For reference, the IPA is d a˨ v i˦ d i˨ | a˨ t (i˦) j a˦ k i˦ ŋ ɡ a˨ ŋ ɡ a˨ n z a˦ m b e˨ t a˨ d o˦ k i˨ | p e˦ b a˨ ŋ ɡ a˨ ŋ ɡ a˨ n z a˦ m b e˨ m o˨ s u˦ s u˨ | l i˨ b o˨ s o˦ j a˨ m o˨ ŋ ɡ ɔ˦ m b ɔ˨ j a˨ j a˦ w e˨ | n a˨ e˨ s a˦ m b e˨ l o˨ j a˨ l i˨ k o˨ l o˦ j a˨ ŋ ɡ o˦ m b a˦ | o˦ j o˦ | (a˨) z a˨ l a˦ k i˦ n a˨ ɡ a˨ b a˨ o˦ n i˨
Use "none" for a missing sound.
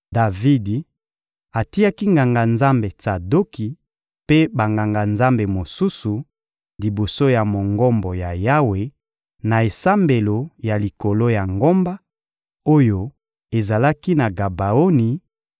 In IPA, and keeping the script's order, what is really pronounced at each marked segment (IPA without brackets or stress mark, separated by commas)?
i˦, e˨